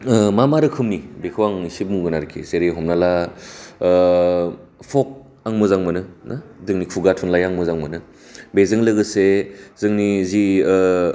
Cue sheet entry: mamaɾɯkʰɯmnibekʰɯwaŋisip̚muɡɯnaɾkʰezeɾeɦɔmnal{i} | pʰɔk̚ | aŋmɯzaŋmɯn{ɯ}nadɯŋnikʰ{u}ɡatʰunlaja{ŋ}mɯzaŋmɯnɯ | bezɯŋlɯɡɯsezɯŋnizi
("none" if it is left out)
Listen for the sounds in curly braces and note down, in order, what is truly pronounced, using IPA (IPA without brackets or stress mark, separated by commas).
a, ɯ, u, ŋ